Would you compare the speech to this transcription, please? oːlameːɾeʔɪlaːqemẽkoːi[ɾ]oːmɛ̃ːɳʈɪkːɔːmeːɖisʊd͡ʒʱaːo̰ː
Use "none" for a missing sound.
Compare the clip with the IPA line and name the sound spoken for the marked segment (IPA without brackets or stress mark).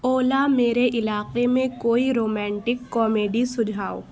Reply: ɾ